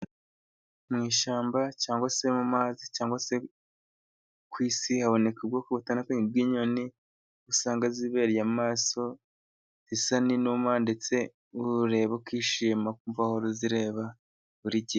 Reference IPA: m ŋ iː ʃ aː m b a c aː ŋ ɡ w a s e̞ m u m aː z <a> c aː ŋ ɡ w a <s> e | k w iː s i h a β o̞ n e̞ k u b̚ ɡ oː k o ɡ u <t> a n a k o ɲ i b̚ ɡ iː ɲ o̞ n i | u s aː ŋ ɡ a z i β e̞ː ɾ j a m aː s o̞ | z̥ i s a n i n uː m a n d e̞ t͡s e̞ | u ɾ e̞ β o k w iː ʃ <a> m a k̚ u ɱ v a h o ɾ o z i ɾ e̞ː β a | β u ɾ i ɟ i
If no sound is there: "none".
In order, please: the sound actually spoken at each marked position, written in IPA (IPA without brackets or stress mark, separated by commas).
i, s, t, i